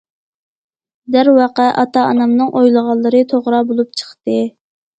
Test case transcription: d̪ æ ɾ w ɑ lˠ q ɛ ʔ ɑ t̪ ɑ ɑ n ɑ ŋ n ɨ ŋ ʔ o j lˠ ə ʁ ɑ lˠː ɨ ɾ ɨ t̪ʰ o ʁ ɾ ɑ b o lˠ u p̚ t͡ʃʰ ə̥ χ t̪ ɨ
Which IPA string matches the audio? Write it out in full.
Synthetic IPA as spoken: d̪ æ ɾ w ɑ q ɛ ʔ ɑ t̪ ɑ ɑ n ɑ m n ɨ ŋ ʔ o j lˠ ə ʁ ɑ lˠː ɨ ɾ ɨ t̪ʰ o ʁ ɾ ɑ b o lˠ u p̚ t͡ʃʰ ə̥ χ t̪ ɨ